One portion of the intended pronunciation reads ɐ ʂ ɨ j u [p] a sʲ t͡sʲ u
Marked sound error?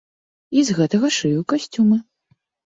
yes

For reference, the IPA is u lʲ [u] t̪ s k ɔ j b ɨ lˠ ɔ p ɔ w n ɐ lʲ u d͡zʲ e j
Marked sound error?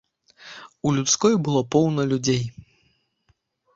no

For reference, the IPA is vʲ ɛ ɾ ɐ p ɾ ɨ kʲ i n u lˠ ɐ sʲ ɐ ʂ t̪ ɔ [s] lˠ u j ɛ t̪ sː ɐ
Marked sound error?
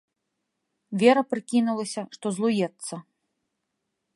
yes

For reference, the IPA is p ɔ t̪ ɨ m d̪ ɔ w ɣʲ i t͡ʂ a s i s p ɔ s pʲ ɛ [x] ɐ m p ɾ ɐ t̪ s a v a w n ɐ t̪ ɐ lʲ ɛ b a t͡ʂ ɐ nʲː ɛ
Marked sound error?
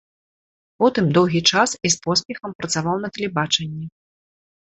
no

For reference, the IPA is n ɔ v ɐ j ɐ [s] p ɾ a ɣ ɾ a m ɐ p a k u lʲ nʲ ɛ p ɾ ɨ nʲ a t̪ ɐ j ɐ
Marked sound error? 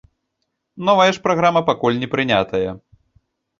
yes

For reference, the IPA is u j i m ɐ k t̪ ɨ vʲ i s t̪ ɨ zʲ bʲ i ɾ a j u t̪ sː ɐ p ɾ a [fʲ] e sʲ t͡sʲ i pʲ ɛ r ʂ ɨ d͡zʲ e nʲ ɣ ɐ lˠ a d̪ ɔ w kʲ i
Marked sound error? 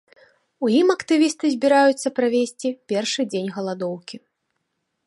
yes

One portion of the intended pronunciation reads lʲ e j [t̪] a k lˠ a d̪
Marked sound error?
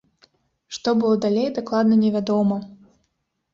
yes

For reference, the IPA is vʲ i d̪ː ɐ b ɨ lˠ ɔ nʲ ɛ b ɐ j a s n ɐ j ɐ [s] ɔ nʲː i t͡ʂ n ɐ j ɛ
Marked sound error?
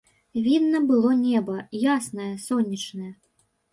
no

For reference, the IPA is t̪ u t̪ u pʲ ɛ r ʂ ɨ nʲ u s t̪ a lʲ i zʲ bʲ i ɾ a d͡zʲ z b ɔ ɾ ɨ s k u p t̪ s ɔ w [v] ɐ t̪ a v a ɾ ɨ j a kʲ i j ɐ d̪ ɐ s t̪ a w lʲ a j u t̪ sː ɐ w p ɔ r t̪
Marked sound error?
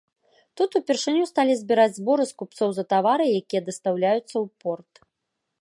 yes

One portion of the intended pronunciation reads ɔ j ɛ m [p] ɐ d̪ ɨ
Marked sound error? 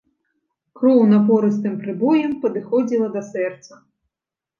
no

